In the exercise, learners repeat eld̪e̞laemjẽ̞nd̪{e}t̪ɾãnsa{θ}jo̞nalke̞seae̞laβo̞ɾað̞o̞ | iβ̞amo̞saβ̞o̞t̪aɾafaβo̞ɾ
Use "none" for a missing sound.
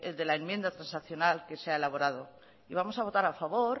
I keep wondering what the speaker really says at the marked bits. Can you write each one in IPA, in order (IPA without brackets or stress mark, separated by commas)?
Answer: a, θ